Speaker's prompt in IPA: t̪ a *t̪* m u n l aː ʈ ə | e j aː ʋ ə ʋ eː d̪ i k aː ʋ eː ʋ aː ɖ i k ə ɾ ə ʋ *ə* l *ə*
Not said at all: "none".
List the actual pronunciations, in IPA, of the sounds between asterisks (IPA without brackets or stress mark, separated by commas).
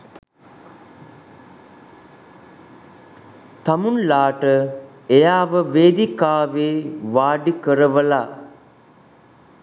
none, ə, a